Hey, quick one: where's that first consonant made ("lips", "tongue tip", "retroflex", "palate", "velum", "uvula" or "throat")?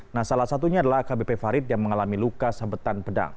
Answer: tongue tip